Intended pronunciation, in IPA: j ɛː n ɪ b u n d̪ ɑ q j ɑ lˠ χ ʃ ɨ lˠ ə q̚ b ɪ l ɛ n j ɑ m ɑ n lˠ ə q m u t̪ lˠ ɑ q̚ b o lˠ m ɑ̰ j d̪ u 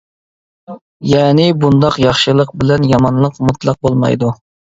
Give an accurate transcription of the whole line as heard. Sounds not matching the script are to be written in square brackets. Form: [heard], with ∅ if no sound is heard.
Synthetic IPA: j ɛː n ɪ b u n d̪ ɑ q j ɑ [∅] χ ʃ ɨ lˠ ə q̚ b ɪ l ɛ n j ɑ m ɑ n lˠ ə q m u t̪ lˠ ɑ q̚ b o lˠ m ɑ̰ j d̪ u